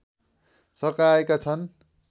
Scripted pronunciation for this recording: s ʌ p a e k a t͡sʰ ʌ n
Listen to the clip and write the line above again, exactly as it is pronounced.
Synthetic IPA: s ʌ k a e k a t͡sʰ ʌ n